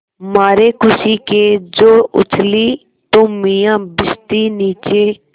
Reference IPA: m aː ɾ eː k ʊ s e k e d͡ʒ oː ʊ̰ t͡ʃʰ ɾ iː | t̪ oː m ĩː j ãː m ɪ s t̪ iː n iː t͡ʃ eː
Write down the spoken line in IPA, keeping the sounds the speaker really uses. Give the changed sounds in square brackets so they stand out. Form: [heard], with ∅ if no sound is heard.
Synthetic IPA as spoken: m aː ɾ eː k ʊ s [i] k e d͡ʒ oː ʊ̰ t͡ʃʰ [l] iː | t̪ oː m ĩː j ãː [b] ɪ s t̪ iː n iː t͡ʃ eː